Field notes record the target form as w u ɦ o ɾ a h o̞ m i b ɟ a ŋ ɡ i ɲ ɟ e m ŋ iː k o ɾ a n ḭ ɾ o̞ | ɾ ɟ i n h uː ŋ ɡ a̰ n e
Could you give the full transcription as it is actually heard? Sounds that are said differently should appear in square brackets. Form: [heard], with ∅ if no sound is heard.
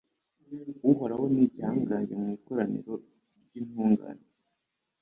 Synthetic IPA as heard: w u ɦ o ɾ a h o̞ [n] i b ɟ a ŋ ɡ [a] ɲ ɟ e m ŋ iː k o ɾ a n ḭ ɾ o̞ | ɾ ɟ i n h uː ŋ ɡ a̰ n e